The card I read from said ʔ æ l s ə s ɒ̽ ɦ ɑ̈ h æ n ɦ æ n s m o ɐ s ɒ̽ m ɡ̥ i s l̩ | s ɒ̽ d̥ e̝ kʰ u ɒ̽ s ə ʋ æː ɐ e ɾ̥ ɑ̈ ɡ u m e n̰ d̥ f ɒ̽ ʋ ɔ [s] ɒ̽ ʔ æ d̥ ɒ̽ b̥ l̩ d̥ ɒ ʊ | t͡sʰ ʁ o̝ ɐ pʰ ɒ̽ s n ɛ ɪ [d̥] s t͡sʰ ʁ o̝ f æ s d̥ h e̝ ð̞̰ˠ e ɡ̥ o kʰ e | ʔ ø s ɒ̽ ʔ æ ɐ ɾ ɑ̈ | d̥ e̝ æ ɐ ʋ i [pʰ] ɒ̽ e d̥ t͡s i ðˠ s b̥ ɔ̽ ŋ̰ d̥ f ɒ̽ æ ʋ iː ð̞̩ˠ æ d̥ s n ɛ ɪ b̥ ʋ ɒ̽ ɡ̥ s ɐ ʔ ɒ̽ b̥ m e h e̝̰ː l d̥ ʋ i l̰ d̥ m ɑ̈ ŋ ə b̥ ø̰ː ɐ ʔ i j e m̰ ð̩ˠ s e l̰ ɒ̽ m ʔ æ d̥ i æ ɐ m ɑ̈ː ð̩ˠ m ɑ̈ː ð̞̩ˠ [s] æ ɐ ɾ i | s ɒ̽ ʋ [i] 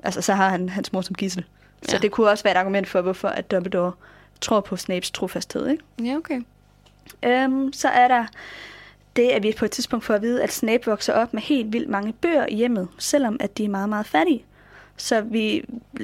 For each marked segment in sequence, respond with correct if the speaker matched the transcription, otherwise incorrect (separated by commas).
incorrect, incorrect, correct, incorrect, correct